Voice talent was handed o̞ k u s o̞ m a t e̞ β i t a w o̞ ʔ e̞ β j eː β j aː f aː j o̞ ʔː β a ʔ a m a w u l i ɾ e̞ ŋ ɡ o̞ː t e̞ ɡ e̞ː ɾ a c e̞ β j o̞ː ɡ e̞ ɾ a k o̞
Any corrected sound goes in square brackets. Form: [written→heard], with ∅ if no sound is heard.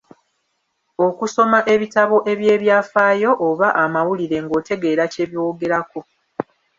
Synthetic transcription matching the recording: o̞ k u s o̞ m a [t→ʔ] e̞ β i t a [w→β] o̞ ʔ e̞ β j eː β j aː f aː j o̞ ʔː β a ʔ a m a w u l i ɾ e̞ ŋ ɡ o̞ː t e̞ ɡ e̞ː ɾ a c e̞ β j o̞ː ɡ e̞ ɾ a k o̞